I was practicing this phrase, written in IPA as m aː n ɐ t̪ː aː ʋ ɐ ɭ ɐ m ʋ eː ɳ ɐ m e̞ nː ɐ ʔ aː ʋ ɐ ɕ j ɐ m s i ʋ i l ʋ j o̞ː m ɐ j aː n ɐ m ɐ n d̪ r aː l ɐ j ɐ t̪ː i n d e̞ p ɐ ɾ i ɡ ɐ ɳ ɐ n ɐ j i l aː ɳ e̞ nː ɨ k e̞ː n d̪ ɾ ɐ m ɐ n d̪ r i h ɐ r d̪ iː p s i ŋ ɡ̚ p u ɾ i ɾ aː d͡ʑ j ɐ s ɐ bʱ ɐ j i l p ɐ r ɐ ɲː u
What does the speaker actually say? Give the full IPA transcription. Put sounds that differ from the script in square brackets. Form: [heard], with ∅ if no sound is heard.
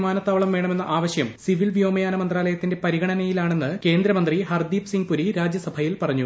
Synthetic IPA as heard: m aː n ɐ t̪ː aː ʋ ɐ ɭ ɐ m ʋ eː ɳ ɐ m e̞ nː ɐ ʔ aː ʋ ɐ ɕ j ɐ m s i ʋ i l ʋ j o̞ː m ɐ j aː n ɐ m ɐ n d̪ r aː l ɐ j ɐ t̪ː i n d e̞ p ɐ ɾ i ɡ ɐ ɳ ɐ n ɐ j i l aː ɳ e̞ nː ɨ k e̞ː n d̪ ɾ ɐ m ɐ n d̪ r i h ɐ r d̪ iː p s i ŋ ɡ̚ p u ɾ i ɾ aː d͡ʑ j ɐ s ɐ bʱ ɐ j i l p ɐ r ɐ ɲː u